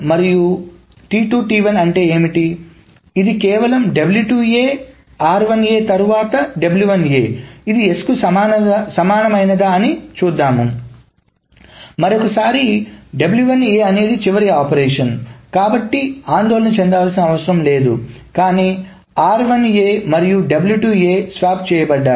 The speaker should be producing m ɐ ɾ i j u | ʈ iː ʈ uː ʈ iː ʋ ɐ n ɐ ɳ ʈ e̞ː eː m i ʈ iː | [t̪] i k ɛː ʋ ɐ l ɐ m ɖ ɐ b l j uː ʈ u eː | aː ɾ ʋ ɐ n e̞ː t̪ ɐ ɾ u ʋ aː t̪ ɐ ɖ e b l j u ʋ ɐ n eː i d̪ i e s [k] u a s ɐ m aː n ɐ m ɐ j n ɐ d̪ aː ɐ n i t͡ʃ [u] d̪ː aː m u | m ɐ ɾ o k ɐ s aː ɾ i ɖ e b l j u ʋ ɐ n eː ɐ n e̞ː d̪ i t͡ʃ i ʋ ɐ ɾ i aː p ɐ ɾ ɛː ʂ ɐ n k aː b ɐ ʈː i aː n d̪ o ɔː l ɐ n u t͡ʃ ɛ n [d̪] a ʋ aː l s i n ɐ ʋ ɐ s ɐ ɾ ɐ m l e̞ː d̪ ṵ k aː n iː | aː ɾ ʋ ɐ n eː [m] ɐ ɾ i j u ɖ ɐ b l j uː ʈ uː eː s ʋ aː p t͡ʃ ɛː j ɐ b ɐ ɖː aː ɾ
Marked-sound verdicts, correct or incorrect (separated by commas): incorrect, correct, incorrect, correct, correct